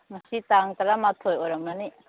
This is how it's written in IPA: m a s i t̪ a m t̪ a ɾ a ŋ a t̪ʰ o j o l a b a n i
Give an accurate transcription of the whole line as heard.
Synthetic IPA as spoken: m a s i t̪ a ŋ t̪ a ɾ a m a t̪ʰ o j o ɾ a m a n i